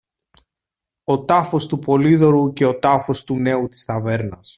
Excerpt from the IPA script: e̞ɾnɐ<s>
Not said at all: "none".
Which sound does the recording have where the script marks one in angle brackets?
s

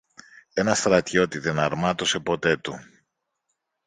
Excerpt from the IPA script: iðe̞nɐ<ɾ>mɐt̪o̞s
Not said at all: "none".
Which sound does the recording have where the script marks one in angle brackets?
ɾ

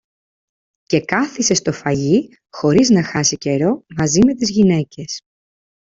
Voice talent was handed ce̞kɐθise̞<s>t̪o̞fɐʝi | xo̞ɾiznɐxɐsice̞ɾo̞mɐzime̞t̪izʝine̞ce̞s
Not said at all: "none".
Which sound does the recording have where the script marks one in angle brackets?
s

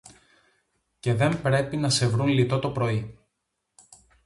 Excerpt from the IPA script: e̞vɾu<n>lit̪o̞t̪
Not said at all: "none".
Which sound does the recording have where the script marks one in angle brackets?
n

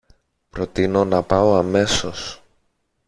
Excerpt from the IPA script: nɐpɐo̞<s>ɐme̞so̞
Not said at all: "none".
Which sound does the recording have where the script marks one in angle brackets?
none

